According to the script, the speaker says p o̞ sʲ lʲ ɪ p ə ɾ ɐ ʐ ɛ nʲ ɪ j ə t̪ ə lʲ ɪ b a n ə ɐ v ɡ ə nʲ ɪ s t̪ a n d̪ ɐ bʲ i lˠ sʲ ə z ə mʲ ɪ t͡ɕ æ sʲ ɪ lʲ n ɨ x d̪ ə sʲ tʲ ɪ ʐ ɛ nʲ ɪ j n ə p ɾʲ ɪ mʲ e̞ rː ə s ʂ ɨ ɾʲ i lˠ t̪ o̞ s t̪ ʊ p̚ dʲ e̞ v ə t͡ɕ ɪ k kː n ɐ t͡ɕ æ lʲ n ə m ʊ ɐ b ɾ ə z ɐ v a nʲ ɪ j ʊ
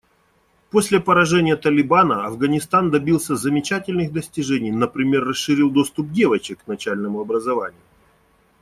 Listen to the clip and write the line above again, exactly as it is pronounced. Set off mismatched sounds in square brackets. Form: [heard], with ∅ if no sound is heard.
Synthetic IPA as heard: p o̞ sʲ lʲ ɪ p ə ɾ ɐ ʐ ɛ nʲ ɪ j ə t̪ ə lʲ ɪ b a n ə ɐ v ɡ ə nʲ ɪ s t̪ a n d̪ ɐ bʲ i lˠ sʲ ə z ə mʲ ɪ t͡ɕ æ [tʲ] ɪ lʲ n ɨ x d̪ ə sʲ tʲ ɪ ʐ ɛ nʲ ɪ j n ə p ɾʲ ɪ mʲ e̞ rː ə s ʂ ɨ ɾʲ i lˠ [d̪] o̞ s t̪ ʊ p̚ dʲ e̞ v ə t͡ɕ ɪ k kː n ɐ t͡ɕ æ lʲ n ə m ʊ ɐ b ɾ ə z ɐ v a nʲ ɪ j ʊ